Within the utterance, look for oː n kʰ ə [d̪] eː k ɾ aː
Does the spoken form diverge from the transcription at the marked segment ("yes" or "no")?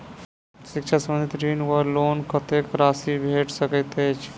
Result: yes